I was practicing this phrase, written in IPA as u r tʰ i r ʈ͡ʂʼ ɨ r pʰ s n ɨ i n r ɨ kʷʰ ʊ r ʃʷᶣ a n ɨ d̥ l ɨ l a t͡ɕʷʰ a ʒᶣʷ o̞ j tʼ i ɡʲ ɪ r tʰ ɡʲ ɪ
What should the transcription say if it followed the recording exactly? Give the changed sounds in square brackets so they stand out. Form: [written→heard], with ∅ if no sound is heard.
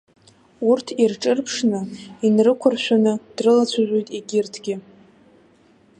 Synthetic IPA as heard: u r tʰ i r ʈ͡ʂʼ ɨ r pʰ [s→ʂ] n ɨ i n r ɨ kʷʰ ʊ r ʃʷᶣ a n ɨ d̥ [l→r] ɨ l a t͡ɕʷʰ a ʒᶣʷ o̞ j tʼ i ɡʲ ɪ r tʰ ɡʲ ɪ